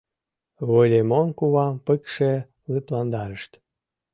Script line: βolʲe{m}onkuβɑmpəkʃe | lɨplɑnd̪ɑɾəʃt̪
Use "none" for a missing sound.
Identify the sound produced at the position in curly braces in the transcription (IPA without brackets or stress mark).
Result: m